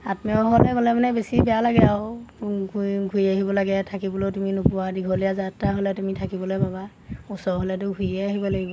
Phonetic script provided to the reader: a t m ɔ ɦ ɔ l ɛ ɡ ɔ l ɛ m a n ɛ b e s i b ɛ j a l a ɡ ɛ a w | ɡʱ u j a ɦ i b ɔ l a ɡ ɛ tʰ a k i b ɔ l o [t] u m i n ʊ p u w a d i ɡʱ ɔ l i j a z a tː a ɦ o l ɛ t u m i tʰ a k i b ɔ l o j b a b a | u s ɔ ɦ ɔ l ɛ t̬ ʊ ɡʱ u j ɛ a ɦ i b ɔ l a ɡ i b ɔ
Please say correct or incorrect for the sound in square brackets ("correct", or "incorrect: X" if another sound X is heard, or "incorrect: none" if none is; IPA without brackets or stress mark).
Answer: correct